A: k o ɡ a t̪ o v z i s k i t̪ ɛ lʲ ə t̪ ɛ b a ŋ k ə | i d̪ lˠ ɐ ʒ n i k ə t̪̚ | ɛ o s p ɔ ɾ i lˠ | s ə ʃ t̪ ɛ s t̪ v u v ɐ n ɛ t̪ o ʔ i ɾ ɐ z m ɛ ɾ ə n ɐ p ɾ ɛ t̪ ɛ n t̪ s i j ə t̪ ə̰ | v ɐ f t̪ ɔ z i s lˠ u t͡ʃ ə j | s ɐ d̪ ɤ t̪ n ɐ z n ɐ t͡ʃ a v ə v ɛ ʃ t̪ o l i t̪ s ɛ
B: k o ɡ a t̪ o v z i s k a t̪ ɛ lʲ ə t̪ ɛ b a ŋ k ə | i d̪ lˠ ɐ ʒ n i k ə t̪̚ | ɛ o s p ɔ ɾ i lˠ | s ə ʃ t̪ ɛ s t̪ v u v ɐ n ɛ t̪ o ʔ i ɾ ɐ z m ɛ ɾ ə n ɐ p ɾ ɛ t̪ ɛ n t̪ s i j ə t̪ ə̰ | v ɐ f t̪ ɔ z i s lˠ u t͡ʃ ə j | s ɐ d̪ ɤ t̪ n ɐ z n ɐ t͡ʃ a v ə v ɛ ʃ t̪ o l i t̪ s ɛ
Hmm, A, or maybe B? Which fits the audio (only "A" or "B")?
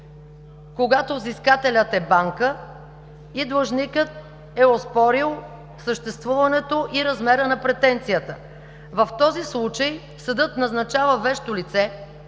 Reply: B